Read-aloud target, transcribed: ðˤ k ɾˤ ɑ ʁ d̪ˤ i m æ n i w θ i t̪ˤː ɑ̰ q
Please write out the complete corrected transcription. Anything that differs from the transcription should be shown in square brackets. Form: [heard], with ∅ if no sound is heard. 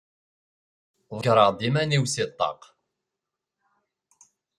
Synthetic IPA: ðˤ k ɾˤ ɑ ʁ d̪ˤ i m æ n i w [s] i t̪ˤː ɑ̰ q